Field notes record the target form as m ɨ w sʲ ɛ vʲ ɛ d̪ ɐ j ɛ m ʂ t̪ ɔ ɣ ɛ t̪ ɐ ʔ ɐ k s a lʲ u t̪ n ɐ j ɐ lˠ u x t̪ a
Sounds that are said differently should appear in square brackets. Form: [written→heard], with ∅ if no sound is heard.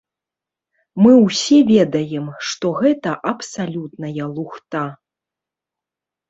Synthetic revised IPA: m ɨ w sʲ ɛ vʲ ɛ d̪ ɐ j ɛ m ʂ t̪ ɔ ɣ ɛ t̪ ɐ ʔ ɐ [k→p] s a lʲ u t̪ n ɐ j ɐ lˠ u x t̪ a